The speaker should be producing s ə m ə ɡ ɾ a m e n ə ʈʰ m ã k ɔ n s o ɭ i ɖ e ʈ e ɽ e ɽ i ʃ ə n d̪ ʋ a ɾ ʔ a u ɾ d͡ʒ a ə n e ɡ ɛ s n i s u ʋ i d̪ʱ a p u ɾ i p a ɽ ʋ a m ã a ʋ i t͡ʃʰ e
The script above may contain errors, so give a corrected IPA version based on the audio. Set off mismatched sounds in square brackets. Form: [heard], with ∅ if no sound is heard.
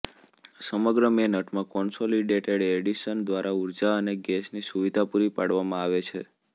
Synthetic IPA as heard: s ə m ə ɡ ɾ [ə] m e n ə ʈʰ m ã k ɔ n s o [l] i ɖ e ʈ e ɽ e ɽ i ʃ ə n d̪ ʋ a ɾ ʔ a u ɾ d͡ʒ a ə n e ɡ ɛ s n i s u ʋ i d̪ʱ a p u ɾ i p a ɽ ʋ a m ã a ʋ [e] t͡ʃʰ e

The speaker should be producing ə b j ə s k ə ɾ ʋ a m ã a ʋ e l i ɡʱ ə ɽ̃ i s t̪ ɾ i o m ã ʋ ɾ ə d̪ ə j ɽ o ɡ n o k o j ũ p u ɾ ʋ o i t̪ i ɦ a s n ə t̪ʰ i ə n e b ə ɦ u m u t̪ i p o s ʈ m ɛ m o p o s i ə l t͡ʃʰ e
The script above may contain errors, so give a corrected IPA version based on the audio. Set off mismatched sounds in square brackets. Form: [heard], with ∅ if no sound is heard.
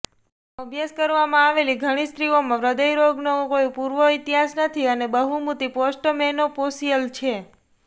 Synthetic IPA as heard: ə b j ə s k ə ɾ ʋ a m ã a ʋ e l i ɡʱ ə ɽ̃ i s t̪ ɾ i o m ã ʋ ɾ ə d̪ ə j [ɾ] o ɡ n o k o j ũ p u ɾ ʋ o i t̪ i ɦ a s n ə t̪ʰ i ə n e b ə ɦ u m u t̪ i p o s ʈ m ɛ [n] o p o s i ə l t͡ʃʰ e

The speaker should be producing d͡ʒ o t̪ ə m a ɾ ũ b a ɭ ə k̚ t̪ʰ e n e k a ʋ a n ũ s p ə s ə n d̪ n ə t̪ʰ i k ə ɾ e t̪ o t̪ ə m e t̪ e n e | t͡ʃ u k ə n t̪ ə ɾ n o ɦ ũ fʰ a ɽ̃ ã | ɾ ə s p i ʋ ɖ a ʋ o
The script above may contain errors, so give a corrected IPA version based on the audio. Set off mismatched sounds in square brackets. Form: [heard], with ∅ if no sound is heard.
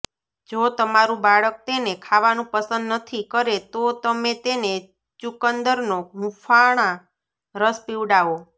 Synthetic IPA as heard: d͡ʒ o t̪ ə m a ɾ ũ b a ɭ ə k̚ [t̪] e n e [kʰ] a ʋ a n ũ [∅] p ə s ə n d̪ n ə t̪ʰ i k ə ɾ e t̪ o t̪ ə m e t̪ e n e | t͡ʃ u k ə n [d̪] ə ɾ n o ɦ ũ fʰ a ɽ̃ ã | ɾ ə s p i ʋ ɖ a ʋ o

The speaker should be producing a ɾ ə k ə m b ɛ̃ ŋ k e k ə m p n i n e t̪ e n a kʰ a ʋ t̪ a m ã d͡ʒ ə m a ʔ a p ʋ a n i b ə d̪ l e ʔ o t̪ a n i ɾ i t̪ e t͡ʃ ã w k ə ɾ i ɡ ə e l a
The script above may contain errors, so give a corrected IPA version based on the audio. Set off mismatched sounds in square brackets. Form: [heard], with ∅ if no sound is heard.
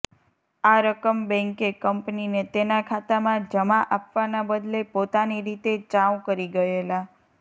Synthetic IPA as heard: a ɾ ə k ə m b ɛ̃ ŋ k e k ə m p n i n e t̪ e n a kʰ a [∅] t̪ a m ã d͡ʒ ə m a ʔ a p ʋ a n [a] b ə d̪ l e [p] o t̪ a n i ɾ i t̪ e t͡ʃ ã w k ə ɾ i ɡ ə e l a

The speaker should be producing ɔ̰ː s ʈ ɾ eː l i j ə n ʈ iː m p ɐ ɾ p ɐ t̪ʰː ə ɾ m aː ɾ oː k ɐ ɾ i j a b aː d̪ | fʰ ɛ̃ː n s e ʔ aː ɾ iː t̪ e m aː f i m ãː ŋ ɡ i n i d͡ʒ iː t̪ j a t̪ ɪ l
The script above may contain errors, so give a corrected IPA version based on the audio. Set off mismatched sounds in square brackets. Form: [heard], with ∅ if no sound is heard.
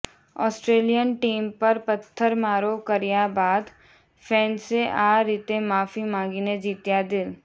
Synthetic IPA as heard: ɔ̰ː s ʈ ɾ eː l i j ə n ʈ iː m p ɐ ɾ p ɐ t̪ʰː ə ɾ m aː ɾ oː k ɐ ɾ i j a b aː d̪ | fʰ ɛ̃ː n s e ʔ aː ɾ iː t̪ e m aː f i m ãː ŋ ɡ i n [e] d͡ʒ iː t̪ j a [d̪] ɪ l

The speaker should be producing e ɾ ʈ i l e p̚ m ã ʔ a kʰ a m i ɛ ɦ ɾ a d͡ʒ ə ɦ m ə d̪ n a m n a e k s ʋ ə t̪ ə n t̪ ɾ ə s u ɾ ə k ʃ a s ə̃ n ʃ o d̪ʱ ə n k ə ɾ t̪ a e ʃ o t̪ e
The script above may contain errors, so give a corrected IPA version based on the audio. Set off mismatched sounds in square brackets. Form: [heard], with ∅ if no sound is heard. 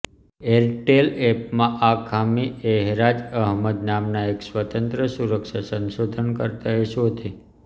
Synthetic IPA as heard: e ɾ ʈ [e] l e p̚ m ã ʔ a kʰ a m i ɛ ɦ ɾ a d͡ʒ ə ɦ m ə d̪ n a m n a e k s ʋ ə t̪ ə n t̪ ɾ ə s u ɾ ə k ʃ a s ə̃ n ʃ o d̪ʱ ə n k ə ɾ t̪ a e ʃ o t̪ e

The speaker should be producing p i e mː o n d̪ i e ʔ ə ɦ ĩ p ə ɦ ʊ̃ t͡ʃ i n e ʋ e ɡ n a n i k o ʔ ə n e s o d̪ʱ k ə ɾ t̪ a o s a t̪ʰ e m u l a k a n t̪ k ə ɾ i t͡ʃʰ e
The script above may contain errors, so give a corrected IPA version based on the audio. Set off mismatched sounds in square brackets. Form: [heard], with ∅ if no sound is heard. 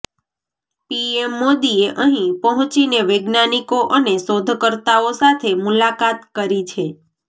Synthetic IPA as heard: p i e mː o [∅] d̪ i e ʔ ə ɦ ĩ p ə ɦ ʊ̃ t͡ʃ i n e ʋ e ɡ n a n i k o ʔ ə n e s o d̪ʱ k ə ɾ t̪ a o s a t̪ʰ e m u l a k a [∅] t̪ k ə ɾ i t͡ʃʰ e

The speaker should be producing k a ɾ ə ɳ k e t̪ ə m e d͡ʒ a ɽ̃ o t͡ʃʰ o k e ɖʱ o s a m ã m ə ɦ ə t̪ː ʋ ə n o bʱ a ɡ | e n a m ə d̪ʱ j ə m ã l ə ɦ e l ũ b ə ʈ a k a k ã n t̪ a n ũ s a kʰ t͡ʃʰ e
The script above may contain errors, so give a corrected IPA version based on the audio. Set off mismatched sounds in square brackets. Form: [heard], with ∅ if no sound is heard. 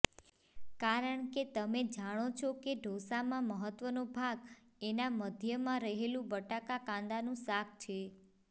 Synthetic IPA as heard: k a ɾ ə ɳ k e t̪ ə m e d͡ʒ a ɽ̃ o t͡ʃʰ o k e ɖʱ o s a m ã m ə ɦ ə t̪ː ʋ ə n o bʱ a ɡ | e n a m ə d̪ʱ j ə m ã [ɾ] ə ɦ e l ũ b ə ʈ a k a k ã n [d̪] a n ũ s a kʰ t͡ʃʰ e

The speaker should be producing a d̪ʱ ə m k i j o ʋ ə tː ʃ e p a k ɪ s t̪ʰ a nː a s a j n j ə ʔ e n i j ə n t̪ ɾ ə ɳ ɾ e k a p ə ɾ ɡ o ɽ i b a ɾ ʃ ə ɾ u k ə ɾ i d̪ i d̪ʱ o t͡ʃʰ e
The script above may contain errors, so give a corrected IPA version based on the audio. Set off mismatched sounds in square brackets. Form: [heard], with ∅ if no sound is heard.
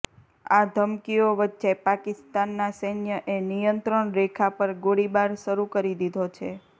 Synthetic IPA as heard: a d̪ʱ ə m k i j o ʋ ə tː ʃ e p a k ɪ s [t̪] a nː a s [ə] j n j ə ʔ e n i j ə n t̪ ɾ ə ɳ ɾ e [kʰ] a p ə ɾ ɡ o ɽ i b a ɾ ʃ ə ɾ u k ə ɾ i d̪ i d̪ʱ o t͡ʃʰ e

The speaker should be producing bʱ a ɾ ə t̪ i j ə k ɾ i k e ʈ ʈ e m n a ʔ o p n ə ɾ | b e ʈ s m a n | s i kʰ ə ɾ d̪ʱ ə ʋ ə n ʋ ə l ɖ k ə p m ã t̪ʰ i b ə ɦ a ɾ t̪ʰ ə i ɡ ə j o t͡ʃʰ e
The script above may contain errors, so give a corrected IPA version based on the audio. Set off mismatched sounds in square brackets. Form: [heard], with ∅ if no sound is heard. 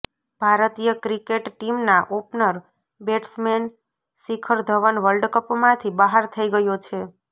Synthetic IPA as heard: bʱ a ɾ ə t̪ i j ə k ɾ i k e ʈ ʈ [i] m n a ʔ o p n ə ɾ | b e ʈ s m [e] n | s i kʰ ə ɾ d̪ʱ ə ʋ ə n ʋ ə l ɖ k ə p m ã t̪ʰ i b ə ɦ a ɾ t̪ʰ ə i ɡ ə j o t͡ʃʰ e

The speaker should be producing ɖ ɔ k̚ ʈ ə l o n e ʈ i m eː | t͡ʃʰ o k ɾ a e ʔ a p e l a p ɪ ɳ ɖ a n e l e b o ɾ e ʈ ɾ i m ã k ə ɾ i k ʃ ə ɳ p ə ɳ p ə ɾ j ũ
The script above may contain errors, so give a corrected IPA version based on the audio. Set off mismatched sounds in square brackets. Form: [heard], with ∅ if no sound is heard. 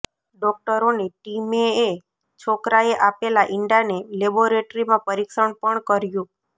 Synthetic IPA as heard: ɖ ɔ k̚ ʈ ə [ɾ] o n e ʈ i m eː | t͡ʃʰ o k ɾ a e ʔ a p e l a [ʔ] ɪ ɳ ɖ a n e l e b o ɾ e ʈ ɾ i m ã [p] ə ɾ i k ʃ ə ɳ p ə ɳ [k] ə ɾ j ũ

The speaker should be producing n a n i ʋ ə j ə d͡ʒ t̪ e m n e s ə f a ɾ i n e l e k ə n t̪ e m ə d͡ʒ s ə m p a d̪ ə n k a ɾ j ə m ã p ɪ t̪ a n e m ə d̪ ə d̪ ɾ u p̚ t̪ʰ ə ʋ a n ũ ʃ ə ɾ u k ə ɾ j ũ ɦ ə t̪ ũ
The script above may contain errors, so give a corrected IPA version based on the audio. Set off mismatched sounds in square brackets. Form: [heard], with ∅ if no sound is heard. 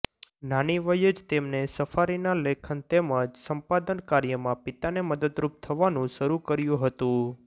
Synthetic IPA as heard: n a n i ʋ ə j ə d͡ʒ t̪ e m n e s ə f a ɾ i n [a] l e [kʰ] ə n t̪ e m ə d͡ʒ s ə m p a d̪ ə n k a ɾ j ə m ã p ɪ t̪ a n e m ə d̪ ə d̪ ɾ u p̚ t̪ʰ ə ʋ a n ũ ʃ ə ɾ u k ə ɾ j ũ ɦ ə t̪ ũ

